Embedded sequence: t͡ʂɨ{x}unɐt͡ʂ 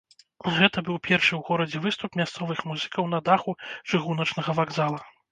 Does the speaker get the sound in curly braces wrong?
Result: yes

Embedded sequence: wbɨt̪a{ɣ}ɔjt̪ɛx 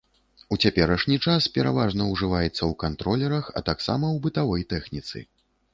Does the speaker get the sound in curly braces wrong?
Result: yes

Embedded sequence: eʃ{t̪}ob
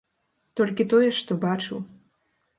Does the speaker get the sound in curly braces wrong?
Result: no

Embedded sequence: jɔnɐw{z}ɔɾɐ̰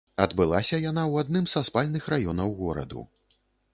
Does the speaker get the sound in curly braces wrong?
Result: yes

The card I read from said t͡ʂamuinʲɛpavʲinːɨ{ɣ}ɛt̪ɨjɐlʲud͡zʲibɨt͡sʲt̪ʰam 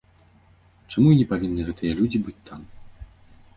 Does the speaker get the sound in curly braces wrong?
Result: no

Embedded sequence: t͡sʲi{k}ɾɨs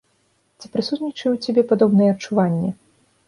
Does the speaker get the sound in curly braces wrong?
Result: yes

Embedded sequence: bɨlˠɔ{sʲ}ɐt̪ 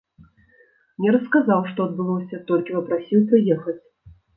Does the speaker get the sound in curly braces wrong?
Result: no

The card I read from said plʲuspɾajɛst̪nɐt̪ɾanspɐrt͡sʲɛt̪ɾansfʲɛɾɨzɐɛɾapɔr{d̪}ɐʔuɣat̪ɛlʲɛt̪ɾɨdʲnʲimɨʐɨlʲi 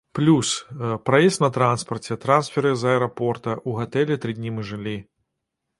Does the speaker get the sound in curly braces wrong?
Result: yes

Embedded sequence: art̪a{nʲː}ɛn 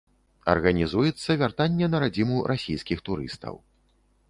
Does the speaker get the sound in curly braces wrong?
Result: no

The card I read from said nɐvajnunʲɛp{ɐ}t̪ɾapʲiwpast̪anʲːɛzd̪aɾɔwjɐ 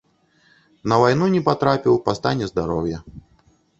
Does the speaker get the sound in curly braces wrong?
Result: yes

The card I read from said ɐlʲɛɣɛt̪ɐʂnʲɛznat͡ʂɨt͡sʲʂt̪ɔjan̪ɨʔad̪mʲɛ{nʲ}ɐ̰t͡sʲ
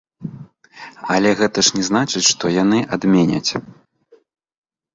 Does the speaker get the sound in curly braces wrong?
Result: no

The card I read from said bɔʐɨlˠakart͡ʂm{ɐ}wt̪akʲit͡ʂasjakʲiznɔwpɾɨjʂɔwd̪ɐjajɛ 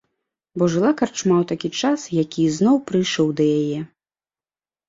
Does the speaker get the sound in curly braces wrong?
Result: yes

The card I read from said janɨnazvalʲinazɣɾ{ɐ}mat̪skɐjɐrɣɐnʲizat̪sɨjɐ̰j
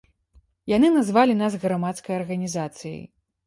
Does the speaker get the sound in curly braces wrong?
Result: yes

